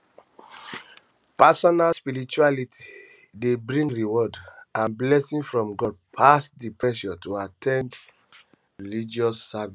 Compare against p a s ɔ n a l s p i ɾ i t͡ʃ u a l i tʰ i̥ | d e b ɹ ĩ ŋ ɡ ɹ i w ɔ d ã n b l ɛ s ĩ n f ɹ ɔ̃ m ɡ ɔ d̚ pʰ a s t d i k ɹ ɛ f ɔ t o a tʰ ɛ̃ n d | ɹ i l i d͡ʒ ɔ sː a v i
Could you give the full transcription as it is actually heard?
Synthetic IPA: p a s ɔ n a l s p i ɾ i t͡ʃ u a l i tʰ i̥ | d e b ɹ ĩ ŋ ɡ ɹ i w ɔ d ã n b l ɛ s ĩ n f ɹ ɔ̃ m ɡ ɔ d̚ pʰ a s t d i p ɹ ɛ ʃ ɔ t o a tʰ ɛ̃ n d | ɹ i l i d͡ʒ ɔ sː a v i